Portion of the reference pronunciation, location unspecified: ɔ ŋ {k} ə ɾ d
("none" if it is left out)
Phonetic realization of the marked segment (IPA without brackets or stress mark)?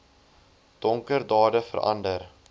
k